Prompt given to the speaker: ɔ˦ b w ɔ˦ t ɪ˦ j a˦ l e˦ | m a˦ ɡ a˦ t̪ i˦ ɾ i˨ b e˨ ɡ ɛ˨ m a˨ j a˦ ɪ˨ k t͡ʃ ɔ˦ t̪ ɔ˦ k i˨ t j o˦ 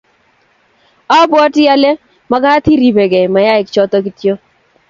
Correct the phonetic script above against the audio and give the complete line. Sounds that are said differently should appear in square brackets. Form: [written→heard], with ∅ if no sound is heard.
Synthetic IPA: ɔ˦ b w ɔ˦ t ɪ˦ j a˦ l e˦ | m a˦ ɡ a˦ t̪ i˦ ɾ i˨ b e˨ ɡ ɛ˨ m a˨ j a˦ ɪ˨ k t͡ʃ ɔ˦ t̪ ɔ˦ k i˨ t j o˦

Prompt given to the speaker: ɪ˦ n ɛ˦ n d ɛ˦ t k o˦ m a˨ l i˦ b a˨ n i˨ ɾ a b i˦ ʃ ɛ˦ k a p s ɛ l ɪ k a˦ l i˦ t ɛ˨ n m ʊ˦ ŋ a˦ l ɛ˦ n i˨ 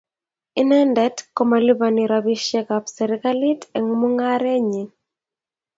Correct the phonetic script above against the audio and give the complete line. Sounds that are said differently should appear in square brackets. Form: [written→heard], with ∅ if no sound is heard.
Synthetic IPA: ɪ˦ n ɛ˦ n d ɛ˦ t k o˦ m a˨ l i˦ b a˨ n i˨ ɾ a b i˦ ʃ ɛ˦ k a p s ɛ [l→ɾ] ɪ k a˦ l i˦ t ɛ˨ [n→ŋ] m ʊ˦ ŋ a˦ [l→ɾ] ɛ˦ [n→ɲ] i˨

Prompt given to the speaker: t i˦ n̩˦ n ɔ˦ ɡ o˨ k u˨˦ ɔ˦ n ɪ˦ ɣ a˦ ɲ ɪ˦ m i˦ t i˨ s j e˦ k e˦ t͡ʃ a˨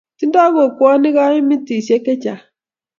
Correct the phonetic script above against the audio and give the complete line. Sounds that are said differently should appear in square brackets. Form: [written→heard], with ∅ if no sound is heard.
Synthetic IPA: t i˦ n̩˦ [n→d] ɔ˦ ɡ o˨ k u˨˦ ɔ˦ n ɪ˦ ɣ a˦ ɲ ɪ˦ m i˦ t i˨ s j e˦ k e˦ t͡ʃ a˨

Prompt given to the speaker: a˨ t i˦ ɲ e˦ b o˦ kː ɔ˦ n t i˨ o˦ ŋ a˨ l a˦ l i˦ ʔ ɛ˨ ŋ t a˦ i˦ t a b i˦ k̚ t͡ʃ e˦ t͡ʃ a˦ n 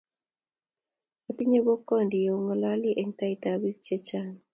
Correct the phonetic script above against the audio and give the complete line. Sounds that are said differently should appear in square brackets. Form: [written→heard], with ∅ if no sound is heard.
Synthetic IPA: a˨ t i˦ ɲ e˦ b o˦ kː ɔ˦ n [t→d] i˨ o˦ ŋ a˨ l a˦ l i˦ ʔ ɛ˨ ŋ t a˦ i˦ t a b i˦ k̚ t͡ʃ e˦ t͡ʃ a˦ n

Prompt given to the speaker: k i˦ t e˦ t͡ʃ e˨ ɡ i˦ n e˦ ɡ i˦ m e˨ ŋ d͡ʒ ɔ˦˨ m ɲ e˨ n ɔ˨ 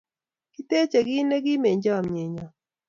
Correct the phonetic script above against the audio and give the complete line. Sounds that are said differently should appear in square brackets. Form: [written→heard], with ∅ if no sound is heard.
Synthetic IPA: k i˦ t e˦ t͡ʃ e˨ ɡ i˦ n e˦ ɡ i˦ m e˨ [ŋ→ɲ] d͡ʒ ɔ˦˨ m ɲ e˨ [n→ɲ] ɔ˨

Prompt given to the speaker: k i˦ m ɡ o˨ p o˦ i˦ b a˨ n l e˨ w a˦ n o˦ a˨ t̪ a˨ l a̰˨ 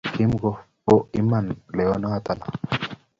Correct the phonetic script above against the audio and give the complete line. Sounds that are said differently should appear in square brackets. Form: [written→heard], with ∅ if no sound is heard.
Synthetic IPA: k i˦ m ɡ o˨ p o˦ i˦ [b→m] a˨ n l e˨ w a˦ n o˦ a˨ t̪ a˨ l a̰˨

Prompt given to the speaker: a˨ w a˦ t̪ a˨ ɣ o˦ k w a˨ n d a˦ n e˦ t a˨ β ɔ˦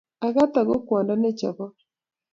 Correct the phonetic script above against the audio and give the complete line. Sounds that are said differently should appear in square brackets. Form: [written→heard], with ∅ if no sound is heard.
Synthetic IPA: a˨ [w→ɣ] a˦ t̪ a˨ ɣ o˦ k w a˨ n d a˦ n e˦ [t→t͡ʃ] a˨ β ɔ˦

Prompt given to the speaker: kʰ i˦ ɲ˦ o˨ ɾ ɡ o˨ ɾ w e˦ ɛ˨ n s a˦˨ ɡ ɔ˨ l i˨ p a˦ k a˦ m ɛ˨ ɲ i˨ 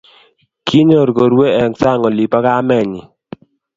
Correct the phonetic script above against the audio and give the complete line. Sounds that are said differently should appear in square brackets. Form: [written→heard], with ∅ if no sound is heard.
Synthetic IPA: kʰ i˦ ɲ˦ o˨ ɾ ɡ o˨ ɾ w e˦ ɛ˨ [n→ŋ] s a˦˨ [ɡ→ŋ] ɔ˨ l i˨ p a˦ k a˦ m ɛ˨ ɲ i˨

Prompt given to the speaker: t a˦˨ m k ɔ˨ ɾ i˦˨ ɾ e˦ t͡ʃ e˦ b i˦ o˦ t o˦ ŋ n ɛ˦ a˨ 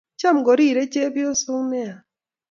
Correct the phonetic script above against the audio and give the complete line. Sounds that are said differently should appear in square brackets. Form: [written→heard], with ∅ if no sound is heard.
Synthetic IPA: [t→t͡ʃ] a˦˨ m [k→ɡ] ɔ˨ ɾ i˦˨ ɾ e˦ t͡ʃ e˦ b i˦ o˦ [t→s] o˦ ŋ n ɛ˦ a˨

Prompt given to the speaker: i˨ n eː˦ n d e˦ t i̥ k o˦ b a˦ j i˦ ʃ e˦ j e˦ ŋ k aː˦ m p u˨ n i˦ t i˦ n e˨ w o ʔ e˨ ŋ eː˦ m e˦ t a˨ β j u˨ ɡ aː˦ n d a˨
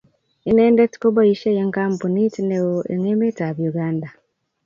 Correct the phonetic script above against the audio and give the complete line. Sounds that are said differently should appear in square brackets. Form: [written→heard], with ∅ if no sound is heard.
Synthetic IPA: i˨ n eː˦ n d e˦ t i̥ k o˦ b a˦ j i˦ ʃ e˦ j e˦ ŋ k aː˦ m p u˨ n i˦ t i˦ n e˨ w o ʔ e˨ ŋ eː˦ m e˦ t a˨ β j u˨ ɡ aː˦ n d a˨

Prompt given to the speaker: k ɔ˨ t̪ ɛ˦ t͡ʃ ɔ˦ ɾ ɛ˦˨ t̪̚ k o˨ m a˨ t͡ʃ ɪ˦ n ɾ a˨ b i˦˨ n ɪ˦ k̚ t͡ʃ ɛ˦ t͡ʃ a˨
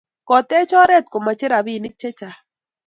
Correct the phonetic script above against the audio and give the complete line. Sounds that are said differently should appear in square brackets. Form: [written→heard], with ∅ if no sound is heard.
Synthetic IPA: k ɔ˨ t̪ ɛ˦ t͡ʃ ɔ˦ ɾ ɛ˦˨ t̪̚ k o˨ m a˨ t͡ʃ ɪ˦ [n→∅] ɾ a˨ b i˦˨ n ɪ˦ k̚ t͡ʃ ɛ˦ t͡ʃ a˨

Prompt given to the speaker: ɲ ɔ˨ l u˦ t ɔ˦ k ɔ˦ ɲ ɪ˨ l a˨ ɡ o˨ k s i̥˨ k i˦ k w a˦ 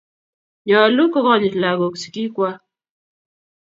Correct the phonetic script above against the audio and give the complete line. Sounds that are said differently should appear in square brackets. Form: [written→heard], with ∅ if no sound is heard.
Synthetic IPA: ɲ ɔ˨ l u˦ [t→k] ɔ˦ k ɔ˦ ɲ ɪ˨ l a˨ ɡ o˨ k s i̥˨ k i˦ k w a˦

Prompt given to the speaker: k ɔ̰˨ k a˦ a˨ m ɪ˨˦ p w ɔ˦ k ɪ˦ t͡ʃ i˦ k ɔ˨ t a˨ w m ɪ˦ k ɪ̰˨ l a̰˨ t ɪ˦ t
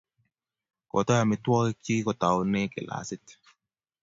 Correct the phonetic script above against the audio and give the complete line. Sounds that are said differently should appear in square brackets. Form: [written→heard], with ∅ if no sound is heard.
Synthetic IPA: k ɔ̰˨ [k→t] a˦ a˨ m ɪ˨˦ [p→t] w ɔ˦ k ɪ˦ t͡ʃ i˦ k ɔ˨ t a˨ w [m→n] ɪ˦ k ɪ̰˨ l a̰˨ [t→s] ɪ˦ t

